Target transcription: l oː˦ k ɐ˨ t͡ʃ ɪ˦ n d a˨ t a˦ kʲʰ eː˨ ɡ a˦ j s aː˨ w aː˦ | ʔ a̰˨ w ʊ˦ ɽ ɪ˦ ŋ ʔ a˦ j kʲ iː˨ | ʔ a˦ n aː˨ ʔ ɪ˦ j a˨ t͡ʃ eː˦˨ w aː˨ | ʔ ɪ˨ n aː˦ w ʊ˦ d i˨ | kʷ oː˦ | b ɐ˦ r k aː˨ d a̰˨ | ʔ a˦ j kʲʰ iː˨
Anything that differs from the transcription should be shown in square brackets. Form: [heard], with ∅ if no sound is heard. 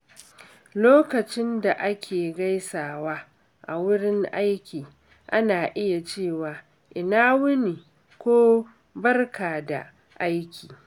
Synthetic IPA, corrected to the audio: l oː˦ k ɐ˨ t͡ʃ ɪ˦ n d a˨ [ʔ] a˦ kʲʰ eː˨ ɡ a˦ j s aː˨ w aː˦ | ʔ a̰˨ w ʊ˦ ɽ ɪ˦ ŋ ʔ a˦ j kʲ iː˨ | ʔ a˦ n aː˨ ʔ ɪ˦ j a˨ t͡ʃ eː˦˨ w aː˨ | ʔ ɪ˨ n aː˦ w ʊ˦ [n] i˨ | kʷ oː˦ | b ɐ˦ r k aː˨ d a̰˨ | ʔ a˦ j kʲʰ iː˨

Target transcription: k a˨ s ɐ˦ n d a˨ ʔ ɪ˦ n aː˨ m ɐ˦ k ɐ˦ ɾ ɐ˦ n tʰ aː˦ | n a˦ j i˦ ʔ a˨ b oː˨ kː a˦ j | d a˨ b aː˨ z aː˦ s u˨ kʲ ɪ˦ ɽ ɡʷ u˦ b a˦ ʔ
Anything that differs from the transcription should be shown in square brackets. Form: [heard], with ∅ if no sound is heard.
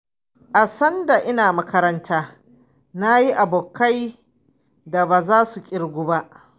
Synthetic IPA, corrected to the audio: [ʔ] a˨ s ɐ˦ n d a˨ ʔ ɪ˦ n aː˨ m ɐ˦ k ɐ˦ ɾ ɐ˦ n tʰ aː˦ | n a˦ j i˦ ʔ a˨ b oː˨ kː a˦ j | d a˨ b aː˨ z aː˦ s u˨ [kʲʼ] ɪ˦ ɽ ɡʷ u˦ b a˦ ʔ

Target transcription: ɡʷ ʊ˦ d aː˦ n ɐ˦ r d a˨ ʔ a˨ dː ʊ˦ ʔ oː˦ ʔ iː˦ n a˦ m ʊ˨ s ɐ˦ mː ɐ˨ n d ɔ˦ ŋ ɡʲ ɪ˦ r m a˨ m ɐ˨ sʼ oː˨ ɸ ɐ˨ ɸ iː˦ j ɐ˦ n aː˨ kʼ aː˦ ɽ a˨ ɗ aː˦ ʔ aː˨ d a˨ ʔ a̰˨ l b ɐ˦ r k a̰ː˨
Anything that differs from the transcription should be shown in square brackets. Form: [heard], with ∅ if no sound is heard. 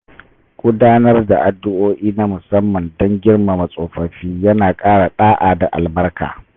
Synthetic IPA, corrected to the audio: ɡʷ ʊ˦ d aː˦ n ɐ˦ r d a˨ ʔ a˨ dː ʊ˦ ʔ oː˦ ʔ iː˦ n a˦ m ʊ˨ s ɐ˦ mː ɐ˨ n d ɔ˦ ŋ ɡʲ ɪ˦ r m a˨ m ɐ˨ sʼ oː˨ ɸ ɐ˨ ɸ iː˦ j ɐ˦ n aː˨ kʼ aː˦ ɽ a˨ ɗ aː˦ ʔ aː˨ d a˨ ʔ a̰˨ l b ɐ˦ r k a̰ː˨

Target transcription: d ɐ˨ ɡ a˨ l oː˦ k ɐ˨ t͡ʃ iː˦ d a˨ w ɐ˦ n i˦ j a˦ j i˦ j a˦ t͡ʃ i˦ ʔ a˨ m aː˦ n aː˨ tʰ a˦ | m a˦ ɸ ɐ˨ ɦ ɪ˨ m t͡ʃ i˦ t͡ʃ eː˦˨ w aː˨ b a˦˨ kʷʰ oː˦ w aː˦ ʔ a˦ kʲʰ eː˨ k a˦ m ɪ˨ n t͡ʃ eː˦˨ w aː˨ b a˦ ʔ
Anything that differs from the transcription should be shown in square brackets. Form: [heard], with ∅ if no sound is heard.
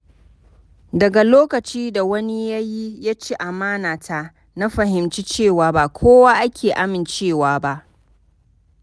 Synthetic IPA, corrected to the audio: d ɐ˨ ɡ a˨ l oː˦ k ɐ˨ t͡ʃ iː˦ d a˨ w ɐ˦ n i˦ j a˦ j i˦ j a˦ t͡ʃ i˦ ʔ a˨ m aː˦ n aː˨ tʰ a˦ | [n] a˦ ɸ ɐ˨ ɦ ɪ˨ m t͡ʃ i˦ t͡ʃ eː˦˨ w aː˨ b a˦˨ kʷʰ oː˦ w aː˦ ʔ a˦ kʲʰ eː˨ [ʔ] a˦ m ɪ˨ n t͡ʃ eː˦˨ w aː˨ b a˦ ʔ

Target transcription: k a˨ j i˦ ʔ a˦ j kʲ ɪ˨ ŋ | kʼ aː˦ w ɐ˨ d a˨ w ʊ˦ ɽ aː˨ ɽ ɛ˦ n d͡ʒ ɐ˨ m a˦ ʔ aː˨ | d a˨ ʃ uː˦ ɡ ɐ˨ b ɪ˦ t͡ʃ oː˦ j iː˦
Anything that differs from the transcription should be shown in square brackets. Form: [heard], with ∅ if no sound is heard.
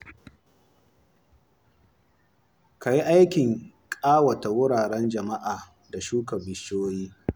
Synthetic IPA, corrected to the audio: k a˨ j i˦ ʔ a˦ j kʲ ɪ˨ ŋ | kʼ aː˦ w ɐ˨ [t] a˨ w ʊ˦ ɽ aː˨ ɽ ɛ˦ n d͡ʒ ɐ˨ m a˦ ʔ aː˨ | d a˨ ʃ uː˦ [k] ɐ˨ b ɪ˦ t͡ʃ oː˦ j iː˦

